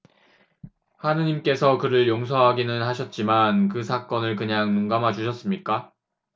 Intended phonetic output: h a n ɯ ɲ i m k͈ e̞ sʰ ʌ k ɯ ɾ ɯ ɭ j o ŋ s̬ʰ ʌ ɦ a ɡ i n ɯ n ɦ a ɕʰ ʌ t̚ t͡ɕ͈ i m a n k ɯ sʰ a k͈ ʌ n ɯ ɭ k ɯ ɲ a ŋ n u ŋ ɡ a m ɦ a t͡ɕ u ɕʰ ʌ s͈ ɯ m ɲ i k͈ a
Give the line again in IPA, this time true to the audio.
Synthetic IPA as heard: h a n ɯ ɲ i m k͈ e̞ sʰ ʌ k ɯ ɾ ɯ ɭ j o ŋ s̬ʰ ʌ ɦ a ɡ i n ɯ n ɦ a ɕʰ ʌ t̚ t͡ɕ͈ i m a n k ɯ sʰ a k͈ ʌ n ɯ ɭ k ɯ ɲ a ŋ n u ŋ ɡ a m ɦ a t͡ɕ u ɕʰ ʌ s͈ ɯ m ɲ i k͈ a